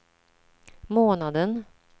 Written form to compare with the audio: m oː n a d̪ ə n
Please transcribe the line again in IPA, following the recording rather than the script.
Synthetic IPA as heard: m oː n a d̪ ə n